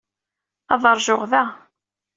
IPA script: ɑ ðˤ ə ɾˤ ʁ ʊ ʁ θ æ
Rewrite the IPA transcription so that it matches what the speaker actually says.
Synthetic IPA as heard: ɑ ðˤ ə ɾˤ ʒ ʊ ʁ ð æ